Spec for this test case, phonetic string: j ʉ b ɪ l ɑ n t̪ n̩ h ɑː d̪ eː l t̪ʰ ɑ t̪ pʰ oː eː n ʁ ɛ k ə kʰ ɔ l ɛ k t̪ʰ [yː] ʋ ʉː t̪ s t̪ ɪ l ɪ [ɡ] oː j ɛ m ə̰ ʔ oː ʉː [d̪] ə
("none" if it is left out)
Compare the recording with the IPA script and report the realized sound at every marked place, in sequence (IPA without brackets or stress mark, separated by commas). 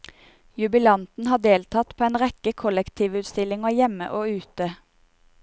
iː, ŋ, t̪